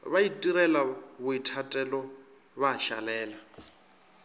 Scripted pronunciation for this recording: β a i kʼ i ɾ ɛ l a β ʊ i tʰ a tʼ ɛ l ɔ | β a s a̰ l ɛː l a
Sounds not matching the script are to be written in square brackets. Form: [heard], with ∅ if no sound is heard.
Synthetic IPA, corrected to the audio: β a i [tʼ] i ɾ ɛ l a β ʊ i tʰ a tʼ ɛ l ɔ | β a [ʃ] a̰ l ɛː l a